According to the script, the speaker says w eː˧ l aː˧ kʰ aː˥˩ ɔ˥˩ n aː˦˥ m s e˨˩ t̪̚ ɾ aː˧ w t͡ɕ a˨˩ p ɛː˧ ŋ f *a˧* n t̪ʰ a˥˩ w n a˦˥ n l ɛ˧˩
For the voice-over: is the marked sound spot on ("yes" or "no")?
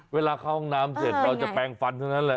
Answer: yes